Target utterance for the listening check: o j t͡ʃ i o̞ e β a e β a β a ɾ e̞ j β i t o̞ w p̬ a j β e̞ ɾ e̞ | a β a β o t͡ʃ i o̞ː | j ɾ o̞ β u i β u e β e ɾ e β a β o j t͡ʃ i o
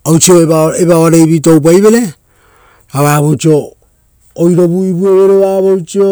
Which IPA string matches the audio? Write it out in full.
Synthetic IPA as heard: o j t͡ʃ i o̞ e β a e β a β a ɾ e̞ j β i t o̞ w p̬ a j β e̞ ɾ e̞ | a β a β o t͡ʃ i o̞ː | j ɾ o̞ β u i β u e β e ɾ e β a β o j t͡ʃ i o